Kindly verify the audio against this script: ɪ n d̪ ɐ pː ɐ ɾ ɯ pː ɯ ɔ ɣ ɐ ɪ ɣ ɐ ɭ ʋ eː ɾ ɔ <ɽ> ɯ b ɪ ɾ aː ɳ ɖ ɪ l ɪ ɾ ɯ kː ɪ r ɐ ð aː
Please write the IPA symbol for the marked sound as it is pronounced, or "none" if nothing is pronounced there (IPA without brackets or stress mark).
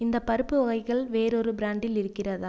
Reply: ɾ